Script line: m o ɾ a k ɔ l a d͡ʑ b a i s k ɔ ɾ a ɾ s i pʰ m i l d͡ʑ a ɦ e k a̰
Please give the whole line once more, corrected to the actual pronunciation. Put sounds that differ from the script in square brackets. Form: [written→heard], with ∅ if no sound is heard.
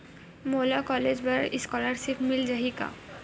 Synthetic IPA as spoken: m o [ɾ→l] a k ɔ l [a→e] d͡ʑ b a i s k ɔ [ɾ→l] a ɾ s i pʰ m i l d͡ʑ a ɦ [e→i] k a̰